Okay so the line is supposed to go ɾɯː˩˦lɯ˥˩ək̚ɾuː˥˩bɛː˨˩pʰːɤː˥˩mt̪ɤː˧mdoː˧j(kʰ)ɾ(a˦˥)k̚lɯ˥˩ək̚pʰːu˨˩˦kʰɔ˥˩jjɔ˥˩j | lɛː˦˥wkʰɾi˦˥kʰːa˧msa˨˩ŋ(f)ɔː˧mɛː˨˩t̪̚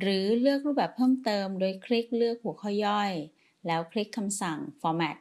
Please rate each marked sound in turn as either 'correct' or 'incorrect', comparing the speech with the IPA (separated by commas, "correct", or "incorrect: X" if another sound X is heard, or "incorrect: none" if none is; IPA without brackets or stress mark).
correct, incorrect: i˦˥, correct